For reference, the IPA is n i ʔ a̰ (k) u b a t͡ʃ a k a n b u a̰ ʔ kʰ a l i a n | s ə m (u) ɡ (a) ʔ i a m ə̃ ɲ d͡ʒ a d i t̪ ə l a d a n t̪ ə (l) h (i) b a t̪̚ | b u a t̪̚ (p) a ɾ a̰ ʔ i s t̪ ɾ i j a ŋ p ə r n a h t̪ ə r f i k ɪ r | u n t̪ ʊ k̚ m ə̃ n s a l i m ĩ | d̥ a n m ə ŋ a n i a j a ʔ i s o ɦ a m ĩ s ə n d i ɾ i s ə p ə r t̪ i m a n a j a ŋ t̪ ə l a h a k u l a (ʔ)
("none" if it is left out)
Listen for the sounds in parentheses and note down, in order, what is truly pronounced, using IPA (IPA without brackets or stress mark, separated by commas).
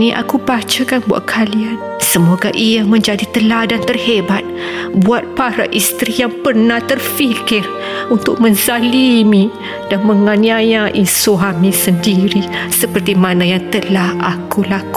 k, o, a, r, e, p, k